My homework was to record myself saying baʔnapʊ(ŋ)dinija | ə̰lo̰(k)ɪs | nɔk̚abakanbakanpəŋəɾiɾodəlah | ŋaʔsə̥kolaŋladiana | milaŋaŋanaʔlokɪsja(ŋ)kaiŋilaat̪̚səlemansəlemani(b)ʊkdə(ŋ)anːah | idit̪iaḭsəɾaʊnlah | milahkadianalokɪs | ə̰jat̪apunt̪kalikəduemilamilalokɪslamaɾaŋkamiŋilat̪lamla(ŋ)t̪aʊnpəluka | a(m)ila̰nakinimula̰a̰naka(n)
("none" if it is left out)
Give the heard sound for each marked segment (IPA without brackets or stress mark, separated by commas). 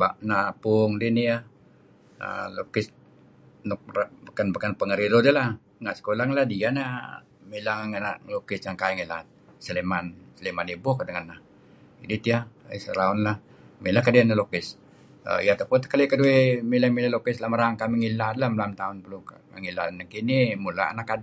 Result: ŋ, k, ŋ, b, ŋ, m, ŋ, d